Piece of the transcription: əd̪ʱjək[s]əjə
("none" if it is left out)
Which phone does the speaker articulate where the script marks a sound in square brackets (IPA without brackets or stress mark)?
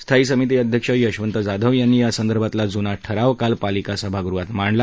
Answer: ʂ